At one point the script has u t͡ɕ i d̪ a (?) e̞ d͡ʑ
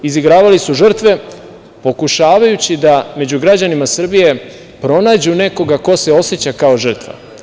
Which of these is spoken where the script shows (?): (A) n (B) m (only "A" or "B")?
B